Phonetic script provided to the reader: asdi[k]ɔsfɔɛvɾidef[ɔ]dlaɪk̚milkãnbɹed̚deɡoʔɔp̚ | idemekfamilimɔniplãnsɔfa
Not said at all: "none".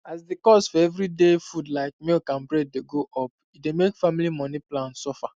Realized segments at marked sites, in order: k, u

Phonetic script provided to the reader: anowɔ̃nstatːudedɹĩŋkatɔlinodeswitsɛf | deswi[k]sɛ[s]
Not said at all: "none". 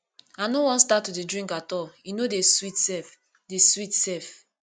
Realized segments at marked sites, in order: t, f

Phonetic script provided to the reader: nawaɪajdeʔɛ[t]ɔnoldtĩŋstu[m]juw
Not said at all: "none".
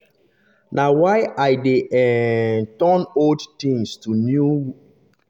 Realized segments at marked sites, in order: t, n

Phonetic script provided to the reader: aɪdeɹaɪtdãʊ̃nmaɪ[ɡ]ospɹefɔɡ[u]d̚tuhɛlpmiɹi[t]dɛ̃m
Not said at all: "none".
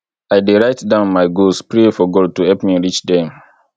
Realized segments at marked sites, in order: ɡ, ɔ, t͡ʃ

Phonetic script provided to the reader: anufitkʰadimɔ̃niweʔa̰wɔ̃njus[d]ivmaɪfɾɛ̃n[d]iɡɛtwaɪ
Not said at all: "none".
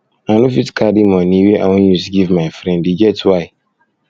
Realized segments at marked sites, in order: ɡ, d

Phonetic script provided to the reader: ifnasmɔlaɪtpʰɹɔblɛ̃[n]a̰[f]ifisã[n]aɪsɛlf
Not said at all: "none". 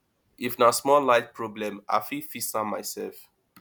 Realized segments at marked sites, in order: m, f, m

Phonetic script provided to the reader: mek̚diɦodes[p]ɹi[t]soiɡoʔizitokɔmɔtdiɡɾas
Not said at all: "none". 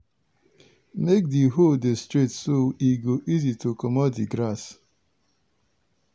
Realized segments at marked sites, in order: t, t

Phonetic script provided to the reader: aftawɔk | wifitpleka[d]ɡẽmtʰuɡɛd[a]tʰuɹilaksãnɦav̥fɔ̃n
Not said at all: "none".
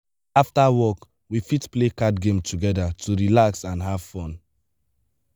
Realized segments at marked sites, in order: d, a

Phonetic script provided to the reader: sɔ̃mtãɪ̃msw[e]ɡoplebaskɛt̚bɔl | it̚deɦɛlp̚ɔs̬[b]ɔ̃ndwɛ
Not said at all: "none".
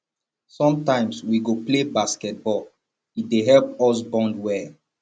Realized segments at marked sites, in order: i, b

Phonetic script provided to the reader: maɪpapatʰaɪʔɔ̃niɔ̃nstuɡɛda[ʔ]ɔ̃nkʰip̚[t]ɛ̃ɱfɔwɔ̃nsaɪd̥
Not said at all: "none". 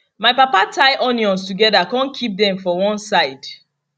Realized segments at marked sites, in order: k, d

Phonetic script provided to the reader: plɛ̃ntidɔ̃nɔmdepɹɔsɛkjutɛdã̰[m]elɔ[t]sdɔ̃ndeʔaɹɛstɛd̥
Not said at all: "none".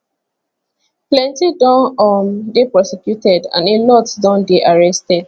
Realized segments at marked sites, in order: n, t

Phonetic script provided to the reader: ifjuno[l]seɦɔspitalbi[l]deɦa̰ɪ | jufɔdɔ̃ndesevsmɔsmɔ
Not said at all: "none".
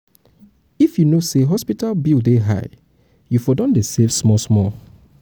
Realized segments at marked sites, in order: none, l

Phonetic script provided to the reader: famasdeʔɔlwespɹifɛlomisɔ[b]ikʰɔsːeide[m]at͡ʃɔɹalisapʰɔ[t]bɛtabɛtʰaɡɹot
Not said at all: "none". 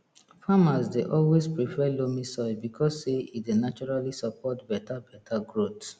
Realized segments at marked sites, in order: b, n, t

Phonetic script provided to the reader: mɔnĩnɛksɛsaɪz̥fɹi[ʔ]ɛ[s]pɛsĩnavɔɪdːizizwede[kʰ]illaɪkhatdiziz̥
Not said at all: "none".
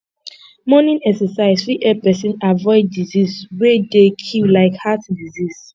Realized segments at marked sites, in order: ʔ, none, kʰ

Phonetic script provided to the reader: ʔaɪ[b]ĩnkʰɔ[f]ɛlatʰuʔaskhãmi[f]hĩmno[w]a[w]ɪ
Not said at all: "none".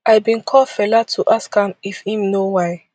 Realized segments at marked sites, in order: b, f, f, w, none

